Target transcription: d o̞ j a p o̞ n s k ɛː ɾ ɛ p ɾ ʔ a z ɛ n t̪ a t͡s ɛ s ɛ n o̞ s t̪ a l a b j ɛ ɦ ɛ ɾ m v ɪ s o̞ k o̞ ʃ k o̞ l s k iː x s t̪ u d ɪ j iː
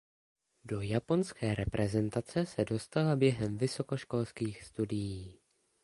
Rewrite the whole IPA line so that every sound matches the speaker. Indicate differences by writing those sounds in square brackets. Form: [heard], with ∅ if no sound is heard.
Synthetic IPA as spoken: d o̞ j a p o̞ n s k ɛː ɾ ɛ p ɾ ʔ [ɛ] z ɛ n t̪ a t͡s ɛ s ɛ [d] o̞ s t̪ a l a b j ɛ ɦ ɛ [∅] m v ɪ s o̞ k o̞ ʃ k o̞ l s k iː x s t̪ u d ɪ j iː